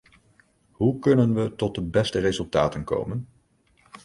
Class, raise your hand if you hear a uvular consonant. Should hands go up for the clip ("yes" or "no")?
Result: no